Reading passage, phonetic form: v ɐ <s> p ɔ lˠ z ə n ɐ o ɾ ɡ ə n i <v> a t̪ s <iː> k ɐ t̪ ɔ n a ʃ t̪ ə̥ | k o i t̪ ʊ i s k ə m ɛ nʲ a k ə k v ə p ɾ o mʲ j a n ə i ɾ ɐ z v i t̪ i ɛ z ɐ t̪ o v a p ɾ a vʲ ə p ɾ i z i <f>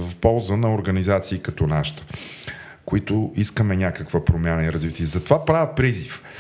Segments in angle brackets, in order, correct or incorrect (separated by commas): incorrect, incorrect, correct, correct